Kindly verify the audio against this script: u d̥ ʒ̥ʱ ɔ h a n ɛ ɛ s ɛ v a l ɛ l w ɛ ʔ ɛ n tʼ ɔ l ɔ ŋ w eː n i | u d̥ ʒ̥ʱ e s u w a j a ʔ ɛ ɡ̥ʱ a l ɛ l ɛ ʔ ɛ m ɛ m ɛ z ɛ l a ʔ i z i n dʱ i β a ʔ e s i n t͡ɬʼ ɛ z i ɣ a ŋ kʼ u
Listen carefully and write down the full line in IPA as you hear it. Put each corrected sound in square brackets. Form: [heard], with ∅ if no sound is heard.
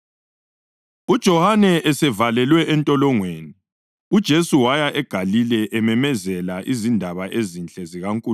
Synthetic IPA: u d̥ ʒ̥ʱ ɔ h a n ɛ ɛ s ɛ v a l ɛ l w ɛ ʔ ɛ n tʼ ɔ l ɔ ŋ w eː n i | u d̥ ʒ̥ʱ e s u w a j a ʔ ɛ ɡ̥ʱ a l [i] l ɛ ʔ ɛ m ɛ m ɛ z ɛ l a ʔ i z i n dʱ [a] β a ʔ e [z] i n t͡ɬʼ ɛ z i ɣ a ŋ kʼ u